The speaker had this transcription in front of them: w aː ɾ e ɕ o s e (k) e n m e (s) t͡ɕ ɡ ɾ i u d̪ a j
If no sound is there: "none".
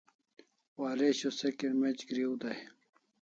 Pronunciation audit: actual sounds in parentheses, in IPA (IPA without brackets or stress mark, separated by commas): k, none